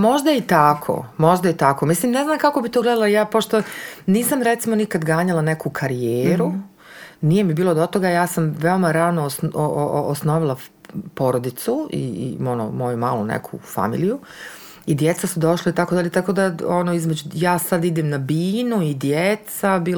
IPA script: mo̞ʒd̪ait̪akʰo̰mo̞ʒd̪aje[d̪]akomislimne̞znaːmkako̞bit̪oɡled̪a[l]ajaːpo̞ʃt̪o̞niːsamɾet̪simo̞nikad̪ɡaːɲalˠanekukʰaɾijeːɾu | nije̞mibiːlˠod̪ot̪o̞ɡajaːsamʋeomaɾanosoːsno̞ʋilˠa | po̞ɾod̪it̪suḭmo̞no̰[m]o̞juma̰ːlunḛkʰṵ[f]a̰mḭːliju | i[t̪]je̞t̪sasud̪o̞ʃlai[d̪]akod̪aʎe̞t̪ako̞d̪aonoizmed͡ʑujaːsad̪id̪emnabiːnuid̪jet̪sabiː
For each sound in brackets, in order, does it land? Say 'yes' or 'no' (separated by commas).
no, yes, yes, yes, no, no